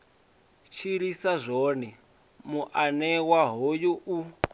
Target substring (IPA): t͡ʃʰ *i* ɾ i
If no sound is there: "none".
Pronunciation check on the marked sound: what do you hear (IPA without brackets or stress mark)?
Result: i